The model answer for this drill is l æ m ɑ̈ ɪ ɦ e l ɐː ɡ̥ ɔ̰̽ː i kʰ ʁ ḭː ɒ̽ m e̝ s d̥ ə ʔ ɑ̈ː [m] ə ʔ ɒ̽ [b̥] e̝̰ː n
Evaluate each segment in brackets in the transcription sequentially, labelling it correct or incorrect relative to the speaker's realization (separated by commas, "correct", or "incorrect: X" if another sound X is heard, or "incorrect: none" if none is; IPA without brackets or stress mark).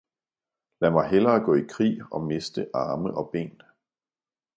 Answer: correct, correct